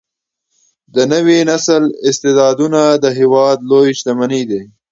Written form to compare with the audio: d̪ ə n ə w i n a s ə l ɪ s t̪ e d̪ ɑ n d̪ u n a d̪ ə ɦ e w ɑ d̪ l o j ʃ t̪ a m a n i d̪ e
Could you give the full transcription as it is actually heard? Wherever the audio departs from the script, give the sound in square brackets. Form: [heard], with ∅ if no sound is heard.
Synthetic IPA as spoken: d̪ ə n ə w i n a s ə l ɪ s t̪ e d̪ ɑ [∅] d̪ u n a d̪ ə ɦ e w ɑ d̪ l o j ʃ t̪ a m a n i d̪ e